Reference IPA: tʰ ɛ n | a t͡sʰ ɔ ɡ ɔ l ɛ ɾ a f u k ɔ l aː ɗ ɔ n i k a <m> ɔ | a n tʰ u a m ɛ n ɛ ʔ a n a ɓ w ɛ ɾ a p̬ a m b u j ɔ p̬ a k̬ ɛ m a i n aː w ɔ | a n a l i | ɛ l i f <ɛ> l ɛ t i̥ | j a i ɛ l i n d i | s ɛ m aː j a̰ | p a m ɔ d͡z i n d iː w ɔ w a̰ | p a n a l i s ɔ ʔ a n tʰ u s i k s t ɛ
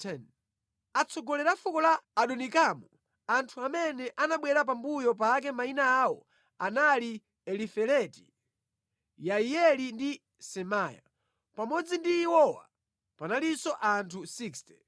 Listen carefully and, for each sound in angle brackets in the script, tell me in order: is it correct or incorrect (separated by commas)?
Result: correct, correct